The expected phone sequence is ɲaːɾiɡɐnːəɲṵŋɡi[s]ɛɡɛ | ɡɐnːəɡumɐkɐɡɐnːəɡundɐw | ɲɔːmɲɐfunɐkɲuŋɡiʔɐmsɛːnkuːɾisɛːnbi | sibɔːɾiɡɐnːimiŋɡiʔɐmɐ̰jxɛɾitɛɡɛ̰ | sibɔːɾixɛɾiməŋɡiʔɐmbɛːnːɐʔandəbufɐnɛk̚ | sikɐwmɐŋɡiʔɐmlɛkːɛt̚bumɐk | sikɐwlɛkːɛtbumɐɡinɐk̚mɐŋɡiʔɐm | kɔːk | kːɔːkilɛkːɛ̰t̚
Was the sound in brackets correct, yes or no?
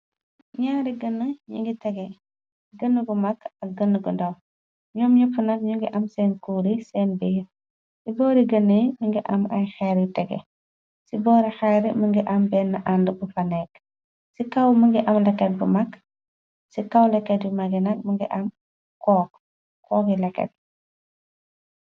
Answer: no